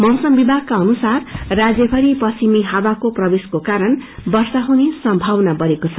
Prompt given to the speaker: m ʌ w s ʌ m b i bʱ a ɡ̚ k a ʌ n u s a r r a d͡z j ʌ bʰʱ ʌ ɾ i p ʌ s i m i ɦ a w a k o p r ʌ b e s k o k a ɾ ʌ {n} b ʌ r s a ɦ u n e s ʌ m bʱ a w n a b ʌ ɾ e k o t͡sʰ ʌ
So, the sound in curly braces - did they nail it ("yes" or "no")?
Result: yes